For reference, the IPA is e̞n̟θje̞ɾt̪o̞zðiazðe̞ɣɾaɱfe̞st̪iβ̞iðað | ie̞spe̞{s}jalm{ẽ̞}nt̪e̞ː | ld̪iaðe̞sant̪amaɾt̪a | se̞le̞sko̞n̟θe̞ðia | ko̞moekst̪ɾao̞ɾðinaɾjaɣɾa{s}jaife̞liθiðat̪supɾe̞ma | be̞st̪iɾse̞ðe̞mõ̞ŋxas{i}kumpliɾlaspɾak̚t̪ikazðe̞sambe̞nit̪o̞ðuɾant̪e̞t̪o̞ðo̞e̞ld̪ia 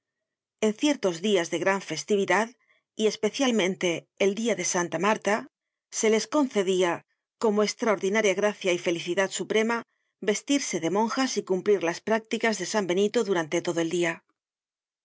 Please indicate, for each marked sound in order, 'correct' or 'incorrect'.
incorrect: θ, correct, incorrect: θ, correct

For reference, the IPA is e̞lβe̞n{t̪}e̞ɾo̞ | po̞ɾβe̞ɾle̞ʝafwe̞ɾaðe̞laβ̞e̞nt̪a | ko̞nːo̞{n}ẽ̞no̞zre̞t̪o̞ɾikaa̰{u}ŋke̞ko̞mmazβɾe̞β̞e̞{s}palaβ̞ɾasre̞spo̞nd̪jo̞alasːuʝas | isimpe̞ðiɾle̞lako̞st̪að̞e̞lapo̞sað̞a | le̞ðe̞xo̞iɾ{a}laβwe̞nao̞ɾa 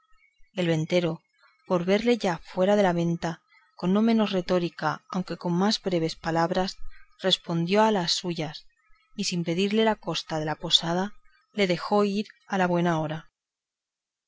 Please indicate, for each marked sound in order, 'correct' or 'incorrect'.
correct, incorrect: m, incorrect: w, correct, correct

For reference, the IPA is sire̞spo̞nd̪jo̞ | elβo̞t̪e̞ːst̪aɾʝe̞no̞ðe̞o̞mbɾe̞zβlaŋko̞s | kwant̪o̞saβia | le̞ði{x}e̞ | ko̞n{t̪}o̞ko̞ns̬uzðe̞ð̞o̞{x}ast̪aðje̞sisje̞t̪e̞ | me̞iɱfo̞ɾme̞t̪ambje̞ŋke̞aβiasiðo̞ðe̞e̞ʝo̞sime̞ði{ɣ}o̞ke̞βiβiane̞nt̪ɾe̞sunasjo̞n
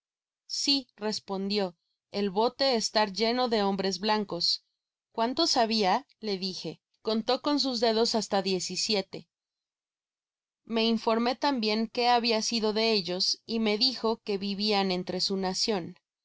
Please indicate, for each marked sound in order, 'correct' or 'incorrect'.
correct, correct, incorrect: s, incorrect: x

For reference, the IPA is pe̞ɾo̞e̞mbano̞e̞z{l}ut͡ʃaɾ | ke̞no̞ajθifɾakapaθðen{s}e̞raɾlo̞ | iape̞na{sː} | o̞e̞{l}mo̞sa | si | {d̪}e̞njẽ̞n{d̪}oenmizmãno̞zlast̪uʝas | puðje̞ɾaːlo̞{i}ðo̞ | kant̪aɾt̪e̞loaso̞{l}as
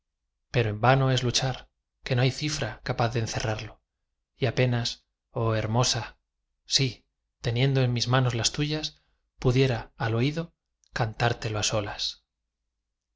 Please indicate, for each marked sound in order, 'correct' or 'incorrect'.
correct, incorrect: θ, incorrect: s, incorrect: ɾ, incorrect: t̪, correct, correct, correct

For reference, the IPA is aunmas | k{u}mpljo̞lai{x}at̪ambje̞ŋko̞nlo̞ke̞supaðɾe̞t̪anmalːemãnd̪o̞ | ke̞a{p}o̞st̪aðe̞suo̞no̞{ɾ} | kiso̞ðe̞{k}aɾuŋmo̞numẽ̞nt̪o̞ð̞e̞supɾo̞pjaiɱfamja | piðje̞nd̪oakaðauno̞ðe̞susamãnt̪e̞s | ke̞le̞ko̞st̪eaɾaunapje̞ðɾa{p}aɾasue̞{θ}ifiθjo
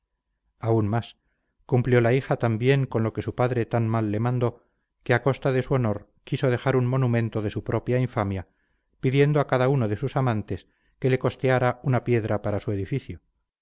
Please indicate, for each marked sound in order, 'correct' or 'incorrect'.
correct, correct, incorrect: k, correct, incorrect: x, correct, incorrect: ð

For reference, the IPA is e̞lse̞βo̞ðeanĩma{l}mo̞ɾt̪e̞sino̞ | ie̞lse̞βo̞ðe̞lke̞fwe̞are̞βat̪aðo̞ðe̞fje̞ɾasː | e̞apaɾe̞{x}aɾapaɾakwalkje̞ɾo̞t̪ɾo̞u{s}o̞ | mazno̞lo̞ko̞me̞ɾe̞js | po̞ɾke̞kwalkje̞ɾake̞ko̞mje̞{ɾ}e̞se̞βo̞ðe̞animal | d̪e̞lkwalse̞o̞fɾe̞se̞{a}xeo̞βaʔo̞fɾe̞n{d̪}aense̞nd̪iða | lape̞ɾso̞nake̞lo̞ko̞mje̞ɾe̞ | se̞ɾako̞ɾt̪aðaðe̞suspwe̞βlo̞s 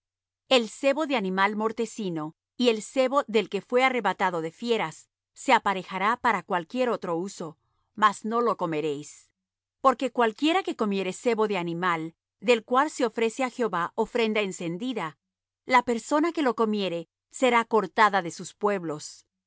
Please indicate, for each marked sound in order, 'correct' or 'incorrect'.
correct, correct, correct, correct, correct, correct

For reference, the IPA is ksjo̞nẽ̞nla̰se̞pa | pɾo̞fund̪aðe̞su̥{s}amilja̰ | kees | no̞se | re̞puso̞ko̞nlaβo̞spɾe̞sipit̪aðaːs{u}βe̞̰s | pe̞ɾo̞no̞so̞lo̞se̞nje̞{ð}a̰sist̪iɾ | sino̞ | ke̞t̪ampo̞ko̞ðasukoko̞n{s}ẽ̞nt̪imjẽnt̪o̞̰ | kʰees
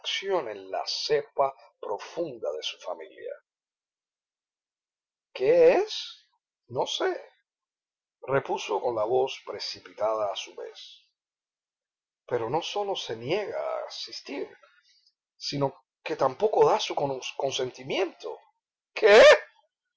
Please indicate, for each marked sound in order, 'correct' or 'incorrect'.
incorrect: f, correct, incorrect: ɣ, correct

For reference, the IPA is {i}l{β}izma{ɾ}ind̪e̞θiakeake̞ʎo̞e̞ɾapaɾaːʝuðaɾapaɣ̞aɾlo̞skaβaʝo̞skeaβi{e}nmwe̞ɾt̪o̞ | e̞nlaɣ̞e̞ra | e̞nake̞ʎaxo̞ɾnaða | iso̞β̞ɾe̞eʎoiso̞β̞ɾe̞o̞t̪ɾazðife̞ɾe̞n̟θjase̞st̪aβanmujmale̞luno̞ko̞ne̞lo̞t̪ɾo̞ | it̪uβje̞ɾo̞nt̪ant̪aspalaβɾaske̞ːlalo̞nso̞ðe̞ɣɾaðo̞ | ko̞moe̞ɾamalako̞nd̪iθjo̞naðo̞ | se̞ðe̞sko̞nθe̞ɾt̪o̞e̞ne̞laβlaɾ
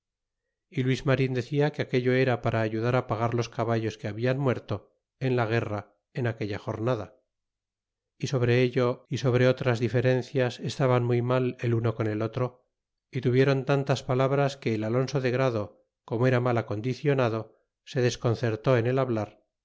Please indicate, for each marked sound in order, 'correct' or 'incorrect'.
correct, incorrect: w, correct, incorrect: a

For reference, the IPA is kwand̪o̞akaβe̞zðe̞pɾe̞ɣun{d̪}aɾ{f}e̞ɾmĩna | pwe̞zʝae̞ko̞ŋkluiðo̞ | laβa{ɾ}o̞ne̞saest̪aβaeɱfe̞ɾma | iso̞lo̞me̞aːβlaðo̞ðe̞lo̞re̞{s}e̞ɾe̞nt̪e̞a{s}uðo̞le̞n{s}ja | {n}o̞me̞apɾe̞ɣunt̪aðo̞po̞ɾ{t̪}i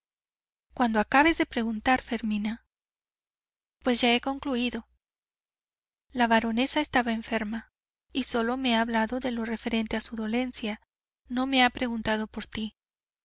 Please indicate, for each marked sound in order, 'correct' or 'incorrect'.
incorrect: t̪, correct, correct, incorrect: f, correct, correct, correct, correct

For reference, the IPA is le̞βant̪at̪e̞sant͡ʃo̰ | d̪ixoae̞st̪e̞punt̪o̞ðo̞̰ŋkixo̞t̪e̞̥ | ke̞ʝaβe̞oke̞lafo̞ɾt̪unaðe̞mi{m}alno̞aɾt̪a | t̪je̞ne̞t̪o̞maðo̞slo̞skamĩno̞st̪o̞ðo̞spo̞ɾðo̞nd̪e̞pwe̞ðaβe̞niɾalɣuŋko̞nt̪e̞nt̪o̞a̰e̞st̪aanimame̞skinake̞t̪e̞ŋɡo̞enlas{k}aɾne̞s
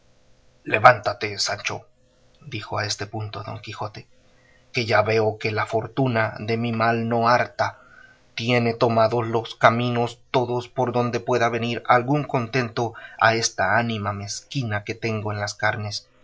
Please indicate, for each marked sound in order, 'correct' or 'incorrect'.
correct, correct

